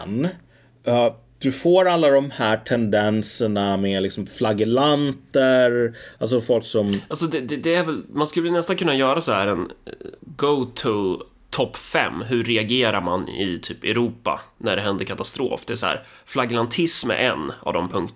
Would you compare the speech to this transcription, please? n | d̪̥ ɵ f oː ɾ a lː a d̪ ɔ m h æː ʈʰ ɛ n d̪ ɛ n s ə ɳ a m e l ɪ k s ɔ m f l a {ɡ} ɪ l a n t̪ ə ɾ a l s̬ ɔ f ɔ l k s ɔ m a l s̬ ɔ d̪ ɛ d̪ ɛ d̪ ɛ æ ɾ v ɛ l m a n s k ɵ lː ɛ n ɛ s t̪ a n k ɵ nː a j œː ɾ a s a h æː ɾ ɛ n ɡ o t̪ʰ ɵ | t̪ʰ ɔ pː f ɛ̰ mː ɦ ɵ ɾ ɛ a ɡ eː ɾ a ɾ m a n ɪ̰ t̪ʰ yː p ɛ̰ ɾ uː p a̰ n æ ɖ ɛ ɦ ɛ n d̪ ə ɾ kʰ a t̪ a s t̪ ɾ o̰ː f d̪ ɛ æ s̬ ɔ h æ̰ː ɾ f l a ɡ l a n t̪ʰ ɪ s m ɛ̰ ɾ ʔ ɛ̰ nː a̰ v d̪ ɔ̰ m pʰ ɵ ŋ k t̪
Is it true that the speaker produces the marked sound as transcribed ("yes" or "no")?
yes